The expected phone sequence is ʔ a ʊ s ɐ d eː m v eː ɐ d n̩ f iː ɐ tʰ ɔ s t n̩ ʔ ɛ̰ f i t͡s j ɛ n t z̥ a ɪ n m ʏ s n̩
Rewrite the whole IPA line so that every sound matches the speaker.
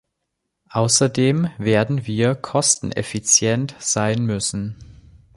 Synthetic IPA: ʔ a ʊ s ɐ d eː m v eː ɐ d n̩ v iː ɐ kʰ ɔ s t n̩ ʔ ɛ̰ f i t͡s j ɛ n t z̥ a ɪ n m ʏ s n̩